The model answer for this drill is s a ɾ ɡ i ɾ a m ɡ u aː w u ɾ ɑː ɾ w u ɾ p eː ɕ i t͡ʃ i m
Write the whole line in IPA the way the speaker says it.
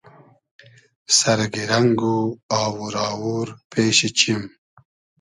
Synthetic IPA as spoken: s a ɾ ɡ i ɾ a ŋ ɡ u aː w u ɾ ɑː w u ɾ p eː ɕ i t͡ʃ i m

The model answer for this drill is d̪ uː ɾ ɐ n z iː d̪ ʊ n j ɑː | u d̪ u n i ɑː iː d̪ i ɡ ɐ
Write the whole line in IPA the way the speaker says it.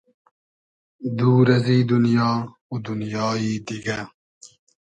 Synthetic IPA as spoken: d̪ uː ɾ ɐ z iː d̪ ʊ n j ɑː | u d̪ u n j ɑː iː d̪ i ɡ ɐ

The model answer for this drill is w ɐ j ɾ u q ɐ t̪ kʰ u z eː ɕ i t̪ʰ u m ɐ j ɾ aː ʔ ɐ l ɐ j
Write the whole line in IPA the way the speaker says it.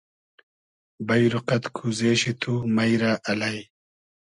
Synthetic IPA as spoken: b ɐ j ɾ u q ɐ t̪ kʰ u z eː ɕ i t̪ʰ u m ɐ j ɾ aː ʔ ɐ l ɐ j

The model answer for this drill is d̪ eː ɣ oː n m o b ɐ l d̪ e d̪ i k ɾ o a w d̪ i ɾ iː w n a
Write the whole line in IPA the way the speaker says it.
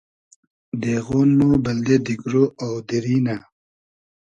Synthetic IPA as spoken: d̪ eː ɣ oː n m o b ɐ l d̪ e d̪ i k ɾ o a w d̪ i ɾ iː n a

